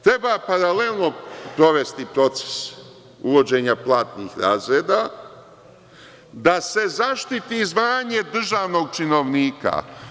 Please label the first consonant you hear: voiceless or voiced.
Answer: voiceless